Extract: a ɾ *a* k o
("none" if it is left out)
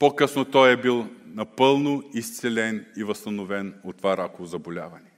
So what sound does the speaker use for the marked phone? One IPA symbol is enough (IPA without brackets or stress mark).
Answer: a